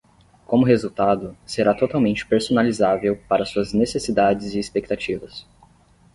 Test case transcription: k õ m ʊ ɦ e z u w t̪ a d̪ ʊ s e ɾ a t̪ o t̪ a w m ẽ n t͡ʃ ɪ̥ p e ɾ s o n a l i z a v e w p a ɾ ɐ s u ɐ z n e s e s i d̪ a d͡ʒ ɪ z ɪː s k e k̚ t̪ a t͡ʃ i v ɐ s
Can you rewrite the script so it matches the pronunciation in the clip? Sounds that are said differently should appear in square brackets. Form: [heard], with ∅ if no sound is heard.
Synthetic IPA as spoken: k õ m ʊ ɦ e z u w t̪ a d̪ ʊ s e ɾ a t̪ o t̪ a w m ẽ n t͡ʃ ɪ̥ p e ɾ s o n a l i z a v e w p a ɾ ɐ s u ɐ z n e s e s i d̪ a d͡ʒ ɪ z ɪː s [p] e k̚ t̪ a t͡ʃ i v ɐ s